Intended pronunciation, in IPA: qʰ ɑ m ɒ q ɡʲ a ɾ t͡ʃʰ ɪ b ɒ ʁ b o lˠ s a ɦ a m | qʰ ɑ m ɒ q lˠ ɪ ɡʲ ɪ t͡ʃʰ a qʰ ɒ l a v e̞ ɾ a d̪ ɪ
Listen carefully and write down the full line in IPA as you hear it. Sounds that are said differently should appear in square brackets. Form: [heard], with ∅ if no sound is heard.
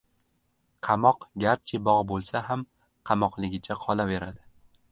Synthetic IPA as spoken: qʰ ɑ m ɒ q ɡʲ a ɾ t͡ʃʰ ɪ b ɒ ʁ b o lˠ s a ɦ a m | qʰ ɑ m ɒ q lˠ ɪ ɡʲ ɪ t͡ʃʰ a qʰ ɒ l a v e̞ ɾ a d̪ ɪ